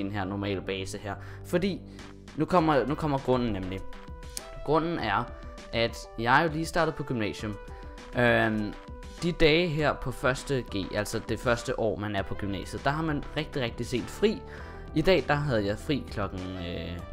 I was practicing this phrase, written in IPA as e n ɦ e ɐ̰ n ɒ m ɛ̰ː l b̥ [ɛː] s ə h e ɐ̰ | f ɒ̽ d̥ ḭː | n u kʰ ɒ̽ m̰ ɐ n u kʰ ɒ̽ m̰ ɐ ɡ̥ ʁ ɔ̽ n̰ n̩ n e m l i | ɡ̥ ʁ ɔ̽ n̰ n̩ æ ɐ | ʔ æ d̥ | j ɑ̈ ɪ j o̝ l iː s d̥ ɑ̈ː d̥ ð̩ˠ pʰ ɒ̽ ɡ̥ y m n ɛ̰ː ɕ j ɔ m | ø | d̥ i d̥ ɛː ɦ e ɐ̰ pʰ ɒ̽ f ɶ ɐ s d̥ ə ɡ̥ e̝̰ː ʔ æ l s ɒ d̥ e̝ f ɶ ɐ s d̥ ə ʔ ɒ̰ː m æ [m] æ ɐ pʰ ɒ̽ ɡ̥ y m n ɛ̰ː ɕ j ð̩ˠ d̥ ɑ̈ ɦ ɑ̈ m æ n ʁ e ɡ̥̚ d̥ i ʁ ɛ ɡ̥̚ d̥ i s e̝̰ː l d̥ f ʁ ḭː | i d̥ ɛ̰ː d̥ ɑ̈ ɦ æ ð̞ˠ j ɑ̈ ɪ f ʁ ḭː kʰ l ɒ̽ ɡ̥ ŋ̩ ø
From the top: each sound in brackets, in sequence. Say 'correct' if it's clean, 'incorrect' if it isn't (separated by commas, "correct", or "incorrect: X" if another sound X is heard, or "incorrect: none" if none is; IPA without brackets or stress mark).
correct, incorrect: n